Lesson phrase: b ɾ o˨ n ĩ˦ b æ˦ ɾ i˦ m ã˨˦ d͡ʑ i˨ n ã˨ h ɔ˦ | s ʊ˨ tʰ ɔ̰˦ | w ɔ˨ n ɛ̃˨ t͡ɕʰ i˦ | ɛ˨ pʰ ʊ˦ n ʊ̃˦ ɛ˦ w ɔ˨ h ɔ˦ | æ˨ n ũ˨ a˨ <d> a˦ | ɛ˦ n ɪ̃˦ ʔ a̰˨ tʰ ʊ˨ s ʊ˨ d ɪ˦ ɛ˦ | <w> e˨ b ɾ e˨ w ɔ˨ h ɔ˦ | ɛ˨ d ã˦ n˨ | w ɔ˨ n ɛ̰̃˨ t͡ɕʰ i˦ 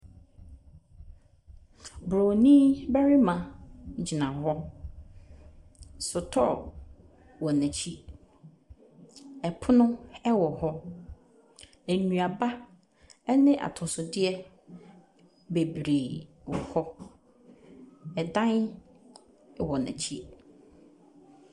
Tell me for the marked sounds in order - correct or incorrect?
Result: incorrect: b, incorrect: b

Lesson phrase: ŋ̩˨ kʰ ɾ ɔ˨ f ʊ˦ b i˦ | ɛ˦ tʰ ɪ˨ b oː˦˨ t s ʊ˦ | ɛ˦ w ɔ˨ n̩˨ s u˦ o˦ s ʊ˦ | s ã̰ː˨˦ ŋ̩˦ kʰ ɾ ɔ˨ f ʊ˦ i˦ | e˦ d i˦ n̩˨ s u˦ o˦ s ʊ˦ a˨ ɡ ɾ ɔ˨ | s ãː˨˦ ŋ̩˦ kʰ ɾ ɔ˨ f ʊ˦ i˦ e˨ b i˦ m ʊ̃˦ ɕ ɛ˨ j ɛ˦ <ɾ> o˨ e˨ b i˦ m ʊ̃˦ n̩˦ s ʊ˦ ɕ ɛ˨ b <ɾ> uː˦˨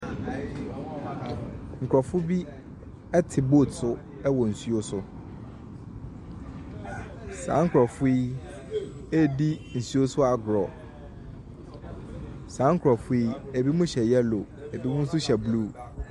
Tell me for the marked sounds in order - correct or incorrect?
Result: incorrect: l, incorrect: l

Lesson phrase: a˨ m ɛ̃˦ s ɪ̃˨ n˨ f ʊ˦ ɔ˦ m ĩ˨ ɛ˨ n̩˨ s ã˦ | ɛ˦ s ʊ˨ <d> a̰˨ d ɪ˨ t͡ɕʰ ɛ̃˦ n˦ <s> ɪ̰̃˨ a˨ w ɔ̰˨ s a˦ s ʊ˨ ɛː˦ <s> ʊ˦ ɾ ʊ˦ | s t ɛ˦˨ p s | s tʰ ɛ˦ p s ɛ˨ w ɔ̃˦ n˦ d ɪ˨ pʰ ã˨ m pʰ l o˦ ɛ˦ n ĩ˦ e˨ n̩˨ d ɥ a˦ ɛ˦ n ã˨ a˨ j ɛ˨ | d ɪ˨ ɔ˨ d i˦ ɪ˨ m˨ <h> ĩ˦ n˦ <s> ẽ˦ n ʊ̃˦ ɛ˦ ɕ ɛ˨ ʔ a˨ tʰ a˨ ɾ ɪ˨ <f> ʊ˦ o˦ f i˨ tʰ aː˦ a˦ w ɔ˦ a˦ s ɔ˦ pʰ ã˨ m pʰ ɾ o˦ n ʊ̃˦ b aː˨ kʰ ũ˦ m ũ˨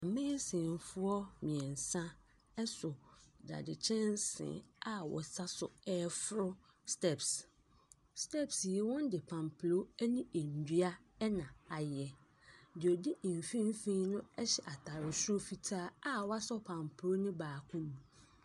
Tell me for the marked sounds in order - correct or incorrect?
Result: correct, correct, incorrect: f, incorrect: f, incorrect: f, incorrect: s

